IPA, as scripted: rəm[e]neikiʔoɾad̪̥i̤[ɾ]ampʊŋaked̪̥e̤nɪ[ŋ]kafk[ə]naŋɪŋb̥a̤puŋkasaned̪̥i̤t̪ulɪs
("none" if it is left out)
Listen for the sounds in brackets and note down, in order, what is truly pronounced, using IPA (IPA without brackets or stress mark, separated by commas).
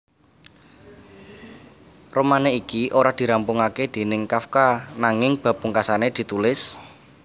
a, ɾ, ŋ, a